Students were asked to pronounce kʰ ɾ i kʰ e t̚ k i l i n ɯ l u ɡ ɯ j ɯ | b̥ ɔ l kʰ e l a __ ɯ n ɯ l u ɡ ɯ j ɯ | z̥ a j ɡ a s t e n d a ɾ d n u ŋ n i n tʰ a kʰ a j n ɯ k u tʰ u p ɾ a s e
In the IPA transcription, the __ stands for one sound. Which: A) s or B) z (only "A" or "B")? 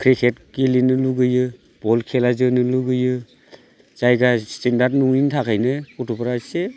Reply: B